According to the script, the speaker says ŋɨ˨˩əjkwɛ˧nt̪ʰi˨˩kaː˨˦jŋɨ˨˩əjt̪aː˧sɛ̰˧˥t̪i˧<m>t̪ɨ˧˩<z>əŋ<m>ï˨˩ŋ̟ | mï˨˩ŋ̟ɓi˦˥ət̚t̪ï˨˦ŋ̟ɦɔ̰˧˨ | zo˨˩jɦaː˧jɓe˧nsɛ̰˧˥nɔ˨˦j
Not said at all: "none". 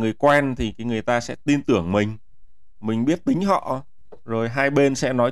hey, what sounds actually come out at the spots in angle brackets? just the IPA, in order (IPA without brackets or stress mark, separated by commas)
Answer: n, none, m